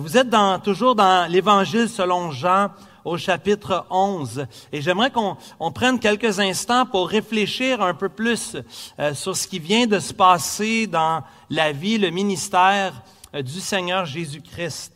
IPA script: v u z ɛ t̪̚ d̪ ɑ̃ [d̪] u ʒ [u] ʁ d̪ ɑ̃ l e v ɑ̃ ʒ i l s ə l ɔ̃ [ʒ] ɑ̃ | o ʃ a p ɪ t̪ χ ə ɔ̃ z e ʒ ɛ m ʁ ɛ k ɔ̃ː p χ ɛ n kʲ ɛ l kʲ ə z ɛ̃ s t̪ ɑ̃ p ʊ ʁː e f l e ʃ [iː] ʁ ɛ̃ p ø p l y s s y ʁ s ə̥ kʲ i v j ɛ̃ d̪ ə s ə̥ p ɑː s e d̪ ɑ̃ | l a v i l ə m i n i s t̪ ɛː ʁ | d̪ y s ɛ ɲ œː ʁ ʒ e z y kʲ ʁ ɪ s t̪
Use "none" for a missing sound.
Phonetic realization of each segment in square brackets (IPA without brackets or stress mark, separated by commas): t̪, uː, ʒ, iː